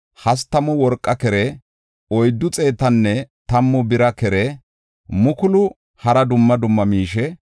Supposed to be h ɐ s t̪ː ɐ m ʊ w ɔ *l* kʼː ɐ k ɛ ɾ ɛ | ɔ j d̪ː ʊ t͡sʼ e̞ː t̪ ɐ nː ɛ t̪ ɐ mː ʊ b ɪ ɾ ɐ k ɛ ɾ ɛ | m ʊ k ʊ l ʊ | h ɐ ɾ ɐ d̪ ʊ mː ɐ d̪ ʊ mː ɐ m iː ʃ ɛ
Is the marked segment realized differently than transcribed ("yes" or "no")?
yes